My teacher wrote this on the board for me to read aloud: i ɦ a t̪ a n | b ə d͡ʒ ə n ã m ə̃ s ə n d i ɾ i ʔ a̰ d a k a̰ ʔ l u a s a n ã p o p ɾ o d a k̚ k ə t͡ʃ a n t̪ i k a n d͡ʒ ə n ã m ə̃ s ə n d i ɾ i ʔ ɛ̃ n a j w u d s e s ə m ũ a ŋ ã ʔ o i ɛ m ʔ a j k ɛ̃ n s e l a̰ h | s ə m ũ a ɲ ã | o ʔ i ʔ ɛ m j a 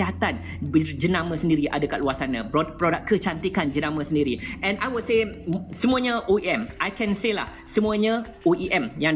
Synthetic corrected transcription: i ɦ a t̪ a n | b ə d͡ʒ ə n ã m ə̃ s ə n d i ɾ i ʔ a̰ d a k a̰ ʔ l u a s a n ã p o p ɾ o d a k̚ k ə t͡ʃ a n t̪ i k a n d͡ʒ ə n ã m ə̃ s ə n d i ɾ i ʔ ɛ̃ n a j w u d s e s ə m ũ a ɲ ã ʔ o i ɛ m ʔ a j k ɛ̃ n s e l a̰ h | s ə m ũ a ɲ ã | o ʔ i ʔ ɛ m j a